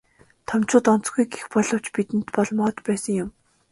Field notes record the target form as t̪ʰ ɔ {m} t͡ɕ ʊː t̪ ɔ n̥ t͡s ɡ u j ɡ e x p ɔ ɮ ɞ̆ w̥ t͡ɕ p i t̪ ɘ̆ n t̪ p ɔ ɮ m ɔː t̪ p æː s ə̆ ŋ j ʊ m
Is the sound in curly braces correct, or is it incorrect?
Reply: correct